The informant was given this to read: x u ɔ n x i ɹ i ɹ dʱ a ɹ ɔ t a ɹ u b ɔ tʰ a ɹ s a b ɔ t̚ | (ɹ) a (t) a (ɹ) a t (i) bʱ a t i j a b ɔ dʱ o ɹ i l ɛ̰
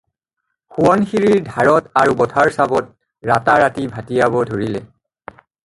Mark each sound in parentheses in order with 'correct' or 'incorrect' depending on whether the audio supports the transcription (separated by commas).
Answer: correct, correct, correct, correct